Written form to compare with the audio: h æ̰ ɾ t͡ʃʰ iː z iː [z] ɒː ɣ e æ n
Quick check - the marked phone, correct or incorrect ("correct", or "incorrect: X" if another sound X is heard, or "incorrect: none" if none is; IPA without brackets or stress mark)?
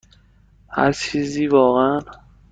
incorrect: v